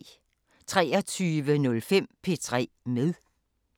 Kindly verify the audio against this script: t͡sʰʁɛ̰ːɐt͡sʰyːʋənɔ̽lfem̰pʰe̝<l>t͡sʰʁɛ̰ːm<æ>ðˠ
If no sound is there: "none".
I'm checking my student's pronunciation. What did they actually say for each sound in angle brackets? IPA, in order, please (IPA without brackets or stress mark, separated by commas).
none, e